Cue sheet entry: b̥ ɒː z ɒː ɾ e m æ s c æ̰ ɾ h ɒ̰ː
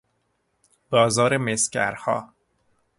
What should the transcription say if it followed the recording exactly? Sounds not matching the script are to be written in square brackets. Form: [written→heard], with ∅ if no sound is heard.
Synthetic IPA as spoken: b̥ ɒː z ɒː ɾ e m [æ→e] s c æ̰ ɾ h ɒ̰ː